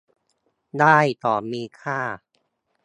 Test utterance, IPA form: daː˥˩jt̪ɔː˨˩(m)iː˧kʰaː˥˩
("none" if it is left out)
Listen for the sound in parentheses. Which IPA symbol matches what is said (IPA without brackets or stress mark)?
m